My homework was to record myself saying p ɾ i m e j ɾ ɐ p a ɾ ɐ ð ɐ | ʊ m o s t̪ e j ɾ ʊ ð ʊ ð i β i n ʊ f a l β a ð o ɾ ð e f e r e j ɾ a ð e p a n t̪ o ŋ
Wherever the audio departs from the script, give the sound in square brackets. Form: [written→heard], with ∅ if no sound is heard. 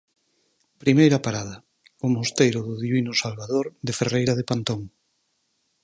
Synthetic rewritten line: p ɾ i m e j ɾ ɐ p a ɾ [ɐ→a] ð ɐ | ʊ m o s t̪ e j ɾ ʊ ð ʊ ð i β i n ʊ [f→s] a l β a ð o ɾ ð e f e r e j ɾ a ð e p a n t̪ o ŋ